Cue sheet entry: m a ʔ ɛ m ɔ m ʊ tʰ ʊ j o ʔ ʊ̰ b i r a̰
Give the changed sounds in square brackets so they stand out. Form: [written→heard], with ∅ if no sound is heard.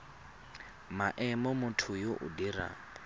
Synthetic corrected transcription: m a ʔ ɛ m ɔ m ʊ tʰ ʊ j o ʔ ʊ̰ [b→d] i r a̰

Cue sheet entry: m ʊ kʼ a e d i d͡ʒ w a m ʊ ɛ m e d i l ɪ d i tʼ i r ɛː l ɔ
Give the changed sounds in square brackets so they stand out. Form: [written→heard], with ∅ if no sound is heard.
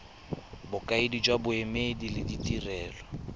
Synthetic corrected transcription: [m→b] ʊ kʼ a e d i d͡ʒ w a [m→b] ʊ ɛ m e d i l ɪ d i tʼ i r ɛː l ɔ

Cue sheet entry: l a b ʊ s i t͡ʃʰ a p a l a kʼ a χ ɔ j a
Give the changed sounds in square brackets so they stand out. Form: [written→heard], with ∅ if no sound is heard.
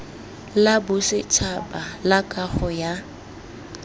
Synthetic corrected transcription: l a b ʊ s [i→ɪ] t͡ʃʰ a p a l a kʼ a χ ɔ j a

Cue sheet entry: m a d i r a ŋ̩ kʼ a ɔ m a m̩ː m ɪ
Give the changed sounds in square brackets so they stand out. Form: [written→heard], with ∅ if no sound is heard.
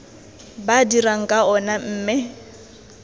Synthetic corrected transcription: [m→b] a d i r a ŋ̩ kʼ a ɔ [m→n] a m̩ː m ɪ

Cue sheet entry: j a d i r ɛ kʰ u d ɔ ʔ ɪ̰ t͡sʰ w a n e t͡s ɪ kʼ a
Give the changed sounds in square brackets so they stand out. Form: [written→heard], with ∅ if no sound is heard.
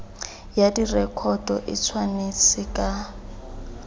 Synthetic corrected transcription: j a d i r ɛ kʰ [u→ɔ] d ɔ ʔ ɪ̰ t͡sʰ w a n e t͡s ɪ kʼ a

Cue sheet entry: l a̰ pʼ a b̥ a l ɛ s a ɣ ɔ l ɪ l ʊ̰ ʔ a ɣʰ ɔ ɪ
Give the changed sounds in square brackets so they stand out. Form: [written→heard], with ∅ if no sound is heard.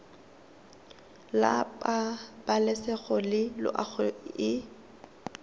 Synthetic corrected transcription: l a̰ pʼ a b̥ a l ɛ s [a→ɛ] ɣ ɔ l ɪ l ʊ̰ ʔ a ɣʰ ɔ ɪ

